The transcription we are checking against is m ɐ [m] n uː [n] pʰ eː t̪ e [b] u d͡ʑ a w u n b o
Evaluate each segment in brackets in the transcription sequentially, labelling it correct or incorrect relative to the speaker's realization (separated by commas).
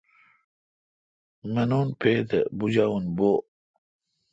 incorrect, correct, correct